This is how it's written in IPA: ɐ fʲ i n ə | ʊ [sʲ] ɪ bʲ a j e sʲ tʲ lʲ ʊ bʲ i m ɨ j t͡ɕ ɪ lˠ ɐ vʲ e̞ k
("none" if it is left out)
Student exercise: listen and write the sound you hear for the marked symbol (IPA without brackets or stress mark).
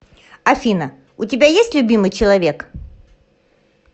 tʲ